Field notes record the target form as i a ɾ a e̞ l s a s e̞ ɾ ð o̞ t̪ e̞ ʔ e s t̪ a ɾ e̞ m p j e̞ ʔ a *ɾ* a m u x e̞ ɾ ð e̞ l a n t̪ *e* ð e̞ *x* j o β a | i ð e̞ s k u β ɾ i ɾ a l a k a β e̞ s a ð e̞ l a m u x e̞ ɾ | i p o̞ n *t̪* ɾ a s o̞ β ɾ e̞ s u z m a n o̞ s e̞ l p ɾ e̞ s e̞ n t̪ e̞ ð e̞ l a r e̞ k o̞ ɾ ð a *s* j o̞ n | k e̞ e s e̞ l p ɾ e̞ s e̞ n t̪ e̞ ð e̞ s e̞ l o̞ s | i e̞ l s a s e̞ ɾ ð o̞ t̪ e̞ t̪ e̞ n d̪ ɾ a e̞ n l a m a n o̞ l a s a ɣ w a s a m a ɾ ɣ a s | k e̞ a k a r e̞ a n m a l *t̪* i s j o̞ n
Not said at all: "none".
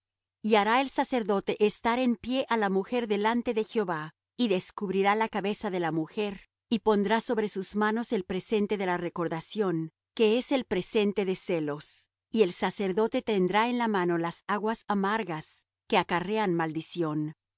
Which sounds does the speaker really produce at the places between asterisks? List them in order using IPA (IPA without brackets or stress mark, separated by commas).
l, e, x, d̪, s, d̪